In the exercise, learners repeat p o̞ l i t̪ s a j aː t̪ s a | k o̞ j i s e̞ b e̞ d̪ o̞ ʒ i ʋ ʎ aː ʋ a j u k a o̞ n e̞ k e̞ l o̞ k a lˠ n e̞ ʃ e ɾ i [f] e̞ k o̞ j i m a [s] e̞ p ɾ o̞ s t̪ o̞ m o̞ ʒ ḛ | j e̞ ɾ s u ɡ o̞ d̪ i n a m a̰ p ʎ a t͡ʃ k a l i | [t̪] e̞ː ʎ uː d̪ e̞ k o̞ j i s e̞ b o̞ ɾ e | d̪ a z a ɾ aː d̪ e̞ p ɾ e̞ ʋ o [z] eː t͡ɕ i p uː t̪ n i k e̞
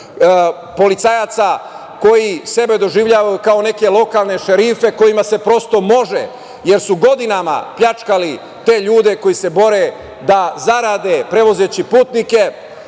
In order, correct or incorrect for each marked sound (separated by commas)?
correct, correct, correct, correct